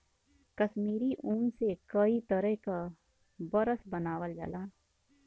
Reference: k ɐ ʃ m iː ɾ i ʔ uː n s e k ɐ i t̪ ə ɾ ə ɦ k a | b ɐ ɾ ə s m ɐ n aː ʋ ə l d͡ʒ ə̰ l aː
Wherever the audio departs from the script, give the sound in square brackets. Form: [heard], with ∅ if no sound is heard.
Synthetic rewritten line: k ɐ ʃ m iː ɾ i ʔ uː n s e k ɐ i t̪ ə ɾ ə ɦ k a | b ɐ ɾ ə s [b] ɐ n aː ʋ ə l d͡ʒ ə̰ l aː